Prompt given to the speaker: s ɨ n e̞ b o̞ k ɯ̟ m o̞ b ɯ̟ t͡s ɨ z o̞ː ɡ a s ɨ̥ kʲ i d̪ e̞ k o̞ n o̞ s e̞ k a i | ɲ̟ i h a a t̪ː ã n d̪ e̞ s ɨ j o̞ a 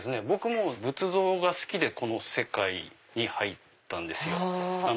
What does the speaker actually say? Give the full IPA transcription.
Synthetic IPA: s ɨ n e̞ b o̞ k ɯ̟ m o̞ b ɯ̟ t͡s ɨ z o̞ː ɡ a s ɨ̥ kʲ i d̪ e̞ k o̞ n o̞ s e̞ k a i | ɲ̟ i h a i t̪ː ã n d̪ e̞ s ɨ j o̞ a